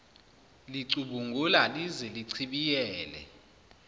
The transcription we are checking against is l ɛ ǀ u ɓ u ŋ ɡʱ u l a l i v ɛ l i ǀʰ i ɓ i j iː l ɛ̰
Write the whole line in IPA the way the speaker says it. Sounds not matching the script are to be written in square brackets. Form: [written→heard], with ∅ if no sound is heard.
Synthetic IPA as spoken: l [ɛ→i] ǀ u ɓ u ŋ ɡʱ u l a l i [v→z] ɛ l i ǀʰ i ɓ i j [iː→ɛː] l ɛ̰